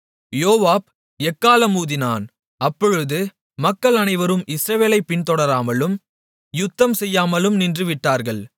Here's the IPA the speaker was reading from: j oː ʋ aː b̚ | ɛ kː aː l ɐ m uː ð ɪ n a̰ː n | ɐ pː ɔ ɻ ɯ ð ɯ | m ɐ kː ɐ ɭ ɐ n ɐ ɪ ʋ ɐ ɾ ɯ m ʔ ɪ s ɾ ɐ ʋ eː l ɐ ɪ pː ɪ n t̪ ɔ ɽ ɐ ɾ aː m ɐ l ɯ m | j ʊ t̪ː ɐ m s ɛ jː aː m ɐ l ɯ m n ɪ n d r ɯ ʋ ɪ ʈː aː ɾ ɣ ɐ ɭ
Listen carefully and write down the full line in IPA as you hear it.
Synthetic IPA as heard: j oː ʋ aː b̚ | ɛ kː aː l ɐ m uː ð ɪ n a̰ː n | ɐ pː ɔ ɻ ɯ ð ɯ | m ɐ kː ɐ ɭ ɐ n ɐ ɪ ʋ ɐ ɾ ɯ m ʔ ɪ s ɾ ɐ ʋ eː l ɐ ɪ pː ɪ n t̪ ɔ ɽ ɐ ɾ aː m ɐ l ɯ m | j ʊ t̪ː ɐ m s ɛ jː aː m ɐ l ɯ m n ɪ n d r ɯ ʋ ɪ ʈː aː ɾ ɣ ɐ ɭ